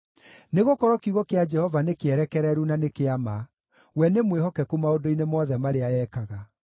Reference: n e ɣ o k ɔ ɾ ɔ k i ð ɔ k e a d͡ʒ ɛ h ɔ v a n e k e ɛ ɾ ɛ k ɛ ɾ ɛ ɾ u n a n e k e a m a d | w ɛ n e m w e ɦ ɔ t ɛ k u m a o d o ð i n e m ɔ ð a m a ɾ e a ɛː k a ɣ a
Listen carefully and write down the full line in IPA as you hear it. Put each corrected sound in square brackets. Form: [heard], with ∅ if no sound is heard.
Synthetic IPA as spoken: n e ɣ o k ɔ ɾ ɔ k i [ɣ] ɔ k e a d͡ʒ ɛ h ɔ v a n e k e ɛ ɾ ɛ k ɛ ɾ ɛ ɾ u n a n e k e a m a [∅] | w ɛ n e m w e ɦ ɔ [k] ɛ k u m a o d o [∅] i n e m ɔ ð [ɛ] m a ɾ e a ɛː k a ɣ a